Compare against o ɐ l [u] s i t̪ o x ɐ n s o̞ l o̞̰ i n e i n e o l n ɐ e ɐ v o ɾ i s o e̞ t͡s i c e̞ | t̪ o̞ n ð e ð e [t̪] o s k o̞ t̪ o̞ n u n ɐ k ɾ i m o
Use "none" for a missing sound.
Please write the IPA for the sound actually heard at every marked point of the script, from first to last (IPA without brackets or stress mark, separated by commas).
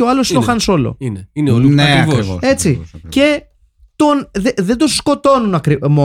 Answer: o, d̪